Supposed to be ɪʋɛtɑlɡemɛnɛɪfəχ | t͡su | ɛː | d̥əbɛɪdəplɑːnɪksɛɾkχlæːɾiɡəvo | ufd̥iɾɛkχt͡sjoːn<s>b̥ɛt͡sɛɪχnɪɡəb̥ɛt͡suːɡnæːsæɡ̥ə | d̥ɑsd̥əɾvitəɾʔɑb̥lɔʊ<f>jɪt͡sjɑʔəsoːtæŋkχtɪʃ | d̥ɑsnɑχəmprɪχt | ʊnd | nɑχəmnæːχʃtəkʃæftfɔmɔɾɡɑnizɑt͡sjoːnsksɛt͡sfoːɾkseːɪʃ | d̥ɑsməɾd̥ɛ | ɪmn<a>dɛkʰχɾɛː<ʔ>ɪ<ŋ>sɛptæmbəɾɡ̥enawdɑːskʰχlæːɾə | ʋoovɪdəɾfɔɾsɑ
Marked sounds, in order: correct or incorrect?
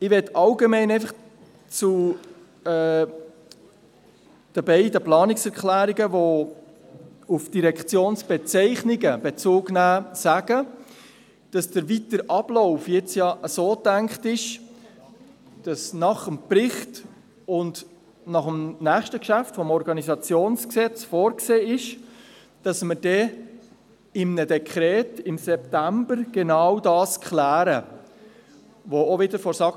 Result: correct, correct, incorrect: ə, incorrect: t, incorrect: m

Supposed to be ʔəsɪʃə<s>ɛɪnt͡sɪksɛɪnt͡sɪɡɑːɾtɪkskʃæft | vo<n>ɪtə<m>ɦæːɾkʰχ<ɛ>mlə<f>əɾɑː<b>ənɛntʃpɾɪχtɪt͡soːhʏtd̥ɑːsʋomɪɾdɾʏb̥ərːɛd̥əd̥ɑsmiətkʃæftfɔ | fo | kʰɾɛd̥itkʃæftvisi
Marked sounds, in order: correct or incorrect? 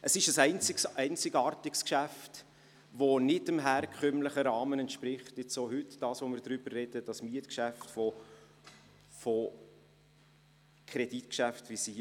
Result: correct, correct, correct, incorrect: œ, incorrect: χ, incorrect: m

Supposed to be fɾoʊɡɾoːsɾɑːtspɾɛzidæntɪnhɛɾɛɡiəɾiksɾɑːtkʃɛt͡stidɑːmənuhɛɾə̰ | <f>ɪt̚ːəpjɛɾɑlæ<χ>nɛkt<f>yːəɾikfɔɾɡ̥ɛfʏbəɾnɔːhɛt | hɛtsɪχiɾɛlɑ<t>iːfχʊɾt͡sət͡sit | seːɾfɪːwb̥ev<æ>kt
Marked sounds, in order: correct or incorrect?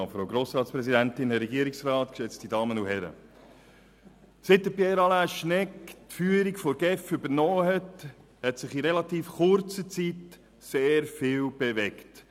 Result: incorrect: s, incorrect: ʃ, correct, correct, incorrect: ɛ

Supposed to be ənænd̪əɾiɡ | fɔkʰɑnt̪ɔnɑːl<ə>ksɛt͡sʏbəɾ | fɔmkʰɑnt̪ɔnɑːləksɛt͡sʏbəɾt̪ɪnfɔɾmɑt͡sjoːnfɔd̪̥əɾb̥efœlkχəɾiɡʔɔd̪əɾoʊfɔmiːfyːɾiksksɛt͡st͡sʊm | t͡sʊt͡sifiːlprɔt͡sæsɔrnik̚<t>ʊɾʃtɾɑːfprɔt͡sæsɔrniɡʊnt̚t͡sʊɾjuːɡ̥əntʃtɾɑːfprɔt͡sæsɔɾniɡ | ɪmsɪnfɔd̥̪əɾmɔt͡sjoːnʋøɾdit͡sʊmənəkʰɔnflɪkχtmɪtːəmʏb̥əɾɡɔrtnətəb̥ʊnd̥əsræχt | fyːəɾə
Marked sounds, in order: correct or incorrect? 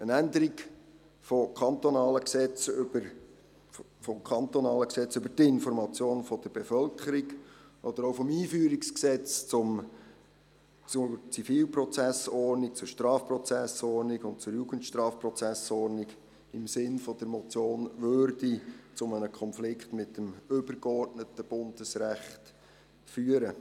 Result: correct, incorrect: t͡s

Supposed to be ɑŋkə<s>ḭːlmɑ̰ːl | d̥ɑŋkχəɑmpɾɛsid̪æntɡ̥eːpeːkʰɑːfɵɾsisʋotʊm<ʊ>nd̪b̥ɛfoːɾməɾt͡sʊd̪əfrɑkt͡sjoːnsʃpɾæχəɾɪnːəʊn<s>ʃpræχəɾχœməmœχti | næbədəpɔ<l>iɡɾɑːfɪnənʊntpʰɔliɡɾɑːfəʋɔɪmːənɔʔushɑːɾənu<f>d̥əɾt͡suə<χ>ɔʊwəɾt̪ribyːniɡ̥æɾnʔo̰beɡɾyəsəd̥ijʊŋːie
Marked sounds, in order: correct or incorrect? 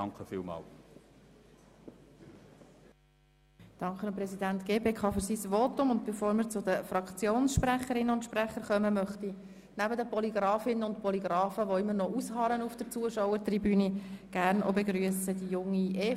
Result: incorrect: f, correct, incorrect: t, correct, correct, incorrect: ʃ

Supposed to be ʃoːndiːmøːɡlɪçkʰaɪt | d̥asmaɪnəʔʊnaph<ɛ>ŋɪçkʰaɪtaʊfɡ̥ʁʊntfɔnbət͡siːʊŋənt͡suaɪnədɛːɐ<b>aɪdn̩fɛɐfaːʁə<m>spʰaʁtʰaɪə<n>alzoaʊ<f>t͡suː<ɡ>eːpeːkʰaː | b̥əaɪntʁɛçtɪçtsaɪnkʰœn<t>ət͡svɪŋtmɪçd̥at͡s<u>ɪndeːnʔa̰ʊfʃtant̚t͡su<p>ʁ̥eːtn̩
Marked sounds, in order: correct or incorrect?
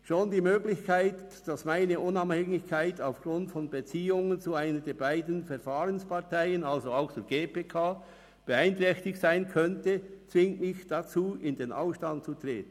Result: correct, correct, incorrect: n, correct, incorrect: x, correct, correct, incorrect: uː, incorrect: t

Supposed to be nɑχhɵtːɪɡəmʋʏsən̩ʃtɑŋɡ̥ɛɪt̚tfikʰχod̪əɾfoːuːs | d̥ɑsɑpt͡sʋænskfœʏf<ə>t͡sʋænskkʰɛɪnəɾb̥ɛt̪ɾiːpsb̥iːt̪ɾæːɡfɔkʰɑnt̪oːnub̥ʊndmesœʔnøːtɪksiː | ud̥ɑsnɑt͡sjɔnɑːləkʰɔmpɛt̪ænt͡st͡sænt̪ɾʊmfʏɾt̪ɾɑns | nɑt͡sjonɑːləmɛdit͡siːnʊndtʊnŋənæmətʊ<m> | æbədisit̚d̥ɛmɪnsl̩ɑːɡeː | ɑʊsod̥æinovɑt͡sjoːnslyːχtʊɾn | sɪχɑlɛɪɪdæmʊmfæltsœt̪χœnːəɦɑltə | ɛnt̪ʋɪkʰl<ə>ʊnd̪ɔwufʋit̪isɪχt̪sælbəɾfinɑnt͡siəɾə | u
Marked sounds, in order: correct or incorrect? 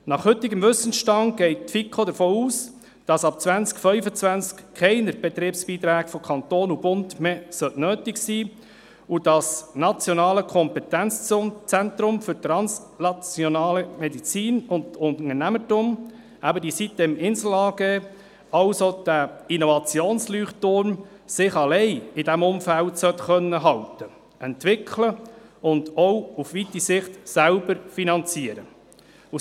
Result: correct, correct, correct

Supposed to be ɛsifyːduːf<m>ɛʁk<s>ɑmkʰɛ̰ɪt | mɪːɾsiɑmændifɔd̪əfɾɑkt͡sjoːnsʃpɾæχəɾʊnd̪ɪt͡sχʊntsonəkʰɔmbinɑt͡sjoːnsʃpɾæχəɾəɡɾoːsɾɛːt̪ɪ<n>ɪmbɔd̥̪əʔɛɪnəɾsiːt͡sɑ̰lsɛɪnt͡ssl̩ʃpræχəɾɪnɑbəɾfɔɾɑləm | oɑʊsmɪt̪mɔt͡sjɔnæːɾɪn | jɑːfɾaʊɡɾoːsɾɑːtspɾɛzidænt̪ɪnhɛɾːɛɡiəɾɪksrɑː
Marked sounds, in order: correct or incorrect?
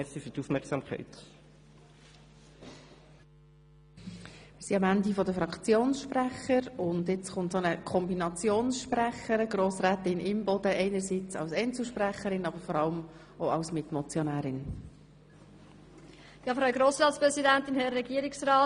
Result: correct, correct, correct

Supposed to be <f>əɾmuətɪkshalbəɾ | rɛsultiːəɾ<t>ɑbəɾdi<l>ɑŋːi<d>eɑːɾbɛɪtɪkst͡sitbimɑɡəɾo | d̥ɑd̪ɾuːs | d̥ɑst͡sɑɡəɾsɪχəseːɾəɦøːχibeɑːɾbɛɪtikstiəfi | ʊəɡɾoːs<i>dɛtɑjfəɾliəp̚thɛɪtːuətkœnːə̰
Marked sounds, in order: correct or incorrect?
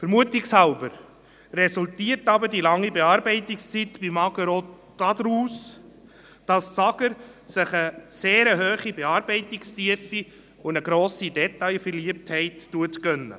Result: correct, correct, correct, incorrect: b, correct

